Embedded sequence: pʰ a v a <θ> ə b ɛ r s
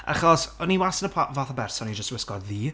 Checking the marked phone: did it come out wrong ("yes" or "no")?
no